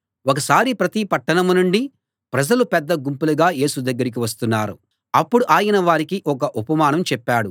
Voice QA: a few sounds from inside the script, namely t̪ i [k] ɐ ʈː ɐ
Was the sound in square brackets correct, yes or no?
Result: no